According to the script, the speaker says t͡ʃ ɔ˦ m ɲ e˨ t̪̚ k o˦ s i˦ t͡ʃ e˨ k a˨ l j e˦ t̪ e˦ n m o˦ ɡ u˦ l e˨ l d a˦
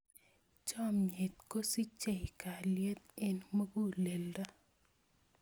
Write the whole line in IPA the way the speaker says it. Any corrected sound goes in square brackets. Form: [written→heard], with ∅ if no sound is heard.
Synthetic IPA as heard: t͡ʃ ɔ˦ m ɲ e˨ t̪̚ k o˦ s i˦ t͡ʃ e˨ k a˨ l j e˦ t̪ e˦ n m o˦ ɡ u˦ l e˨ l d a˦